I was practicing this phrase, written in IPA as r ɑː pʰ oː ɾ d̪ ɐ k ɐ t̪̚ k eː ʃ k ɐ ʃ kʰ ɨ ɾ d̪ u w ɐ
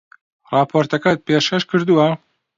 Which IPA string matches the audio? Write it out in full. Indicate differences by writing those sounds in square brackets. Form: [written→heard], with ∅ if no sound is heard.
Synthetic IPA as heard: r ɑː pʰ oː ɾ [d̪→t̪] ɐ k ɐ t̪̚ [k→p] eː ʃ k ɐ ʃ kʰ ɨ ɾ d̪ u w ɐ